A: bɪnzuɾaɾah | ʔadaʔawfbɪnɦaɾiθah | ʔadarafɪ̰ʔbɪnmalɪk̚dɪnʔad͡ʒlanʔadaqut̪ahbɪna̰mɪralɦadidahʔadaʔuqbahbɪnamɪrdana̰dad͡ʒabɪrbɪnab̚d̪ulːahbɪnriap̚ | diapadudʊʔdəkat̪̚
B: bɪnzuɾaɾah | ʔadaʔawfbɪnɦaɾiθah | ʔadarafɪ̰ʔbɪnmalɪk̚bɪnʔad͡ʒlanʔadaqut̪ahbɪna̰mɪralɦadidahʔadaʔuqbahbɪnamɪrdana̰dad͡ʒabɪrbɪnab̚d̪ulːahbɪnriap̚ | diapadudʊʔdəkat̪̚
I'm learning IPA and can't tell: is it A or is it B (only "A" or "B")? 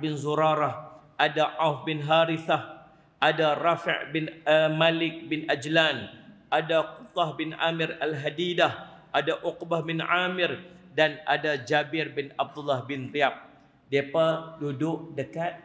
B